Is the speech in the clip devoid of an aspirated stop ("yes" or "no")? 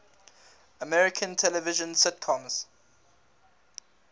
no